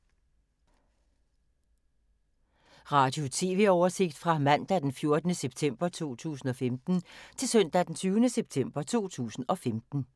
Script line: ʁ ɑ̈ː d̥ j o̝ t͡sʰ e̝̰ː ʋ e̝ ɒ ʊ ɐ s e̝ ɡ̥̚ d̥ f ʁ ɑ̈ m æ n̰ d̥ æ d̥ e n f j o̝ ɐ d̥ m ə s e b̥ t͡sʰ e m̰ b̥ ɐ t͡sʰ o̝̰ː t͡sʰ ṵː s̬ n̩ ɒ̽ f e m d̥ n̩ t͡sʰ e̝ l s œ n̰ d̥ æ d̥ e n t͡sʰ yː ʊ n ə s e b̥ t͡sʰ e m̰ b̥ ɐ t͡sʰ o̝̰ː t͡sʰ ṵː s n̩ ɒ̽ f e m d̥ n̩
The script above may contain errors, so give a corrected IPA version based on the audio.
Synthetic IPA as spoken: ʁ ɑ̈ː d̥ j o̝ t͡sʰ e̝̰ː ʋ e̝ ɒ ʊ ɐ s e̝ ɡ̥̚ d̥ f ʁ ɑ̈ m æ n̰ d̥ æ d̥ e n f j o̝ ɐ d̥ n ə s e b̥ t͡sʰ e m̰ b̥ ɐ t͡sʰ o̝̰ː t͡sʰ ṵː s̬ n̩ ɒ̽ f e m d̥ n̩ t͡sʰ e̝ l s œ n̰ d̥ æ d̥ e n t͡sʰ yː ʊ n ə s e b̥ t͡sʰ e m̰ b̥ ɐ t͡sʰ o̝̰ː t͡sʰ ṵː s n̩ ɒ̽ f e m d̥ n̩